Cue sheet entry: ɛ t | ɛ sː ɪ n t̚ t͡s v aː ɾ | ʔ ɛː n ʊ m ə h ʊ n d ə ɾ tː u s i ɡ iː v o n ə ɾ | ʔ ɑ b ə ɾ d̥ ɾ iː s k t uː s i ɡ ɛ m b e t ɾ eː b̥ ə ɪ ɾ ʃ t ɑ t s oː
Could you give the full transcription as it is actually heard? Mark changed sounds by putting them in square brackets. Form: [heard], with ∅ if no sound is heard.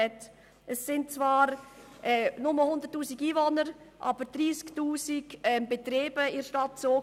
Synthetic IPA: ɛ t | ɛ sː ɪ n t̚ t͡s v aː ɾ | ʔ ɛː n ʊ m ə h ʊ n d ə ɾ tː [uː] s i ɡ iː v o n ə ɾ | ʔ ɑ b ə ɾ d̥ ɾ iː s k t uː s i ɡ ɛ m b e t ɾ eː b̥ ə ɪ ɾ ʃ t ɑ t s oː